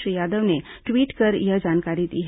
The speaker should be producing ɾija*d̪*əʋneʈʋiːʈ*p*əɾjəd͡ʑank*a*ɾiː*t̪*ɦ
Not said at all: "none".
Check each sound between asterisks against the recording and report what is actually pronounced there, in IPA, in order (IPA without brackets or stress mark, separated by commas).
d̪, k, a, t̪